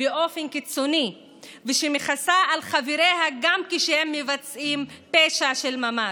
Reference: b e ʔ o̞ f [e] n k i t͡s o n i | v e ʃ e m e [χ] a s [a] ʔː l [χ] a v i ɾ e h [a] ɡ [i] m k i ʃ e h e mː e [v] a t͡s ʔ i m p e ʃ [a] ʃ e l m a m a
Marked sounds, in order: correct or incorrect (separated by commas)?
correct, correct, correct, correct, correct, incorrect, correct, correct